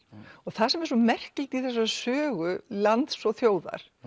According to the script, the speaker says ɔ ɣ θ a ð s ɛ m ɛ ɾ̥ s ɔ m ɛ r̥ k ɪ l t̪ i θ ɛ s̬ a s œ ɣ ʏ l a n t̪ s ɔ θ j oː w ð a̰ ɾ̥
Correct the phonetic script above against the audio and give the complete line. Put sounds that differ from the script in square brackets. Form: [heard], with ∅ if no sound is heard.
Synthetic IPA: ɔ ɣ θ a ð s ɛ m ɛ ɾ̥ s ɔ m ɛ r̥ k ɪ l t̪ i θ ɛ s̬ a s [œː] ɣ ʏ l a n t̪ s ɔ θ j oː w ð a̰ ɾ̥